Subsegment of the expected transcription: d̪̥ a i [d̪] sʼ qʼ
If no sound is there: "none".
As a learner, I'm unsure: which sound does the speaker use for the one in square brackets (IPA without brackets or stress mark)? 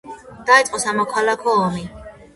t̪